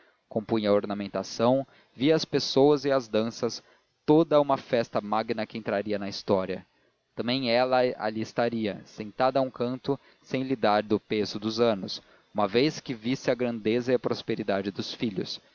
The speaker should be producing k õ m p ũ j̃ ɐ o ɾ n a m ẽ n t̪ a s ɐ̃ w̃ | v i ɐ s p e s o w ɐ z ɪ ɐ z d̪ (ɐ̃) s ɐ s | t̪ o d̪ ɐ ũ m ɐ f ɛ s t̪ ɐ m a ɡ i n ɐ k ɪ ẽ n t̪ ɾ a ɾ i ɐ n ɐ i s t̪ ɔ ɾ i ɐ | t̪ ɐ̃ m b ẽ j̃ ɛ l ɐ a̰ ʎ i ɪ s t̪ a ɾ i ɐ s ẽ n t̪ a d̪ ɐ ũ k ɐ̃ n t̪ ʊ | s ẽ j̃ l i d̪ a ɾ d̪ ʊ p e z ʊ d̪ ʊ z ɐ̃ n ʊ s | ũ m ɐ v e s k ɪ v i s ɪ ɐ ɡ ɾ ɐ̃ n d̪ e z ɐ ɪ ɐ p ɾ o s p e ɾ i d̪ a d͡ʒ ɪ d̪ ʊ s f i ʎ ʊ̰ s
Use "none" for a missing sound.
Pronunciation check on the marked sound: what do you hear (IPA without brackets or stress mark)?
ɐ̃